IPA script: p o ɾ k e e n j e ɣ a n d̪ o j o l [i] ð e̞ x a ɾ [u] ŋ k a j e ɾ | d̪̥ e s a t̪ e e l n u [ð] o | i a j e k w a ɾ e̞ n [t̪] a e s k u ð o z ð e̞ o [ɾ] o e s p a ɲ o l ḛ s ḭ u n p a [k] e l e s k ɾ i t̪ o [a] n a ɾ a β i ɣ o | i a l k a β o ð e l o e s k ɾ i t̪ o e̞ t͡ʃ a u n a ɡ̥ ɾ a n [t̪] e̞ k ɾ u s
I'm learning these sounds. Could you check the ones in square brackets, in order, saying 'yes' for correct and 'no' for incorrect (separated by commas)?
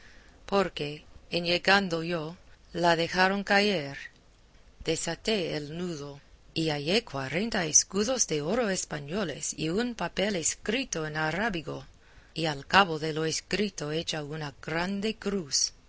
no, no, yes, yes, yes, no, no, no